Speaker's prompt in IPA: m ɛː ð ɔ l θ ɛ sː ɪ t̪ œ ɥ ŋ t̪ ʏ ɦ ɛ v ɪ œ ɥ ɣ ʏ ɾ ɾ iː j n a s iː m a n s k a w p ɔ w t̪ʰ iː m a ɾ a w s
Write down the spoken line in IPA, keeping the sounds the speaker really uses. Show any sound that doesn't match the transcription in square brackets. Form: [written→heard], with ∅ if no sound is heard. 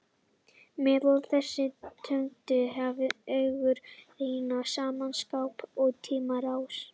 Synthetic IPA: m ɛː ð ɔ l θ ɛ sː ɪ [t̪→t̪ʰ] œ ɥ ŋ t̪ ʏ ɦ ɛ v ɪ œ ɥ ɣ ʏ ɾ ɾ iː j n a s [iː→aː] m a n s k a w p ɔ [w→ɣ] t̪ʰ iː m a ɾ a w s